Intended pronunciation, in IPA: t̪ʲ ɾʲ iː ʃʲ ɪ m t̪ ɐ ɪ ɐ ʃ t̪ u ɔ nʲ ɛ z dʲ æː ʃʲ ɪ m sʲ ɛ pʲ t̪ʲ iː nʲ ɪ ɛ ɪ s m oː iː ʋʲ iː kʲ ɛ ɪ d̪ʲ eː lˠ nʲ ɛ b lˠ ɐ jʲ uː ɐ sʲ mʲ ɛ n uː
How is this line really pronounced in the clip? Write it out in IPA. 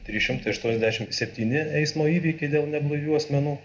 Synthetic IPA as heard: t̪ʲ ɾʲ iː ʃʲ ɪ m t̪ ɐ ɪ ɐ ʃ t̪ u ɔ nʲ ɛ z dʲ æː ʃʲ ɪ m sʲ ɛ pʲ t̪ʲ iː nʲ ɪ ɛ ɪ s m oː iː ʋʲ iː kʲ ɛ ɪ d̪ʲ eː lˠ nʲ ɛ b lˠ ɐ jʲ uː ɐ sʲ mʲ ɛ n uː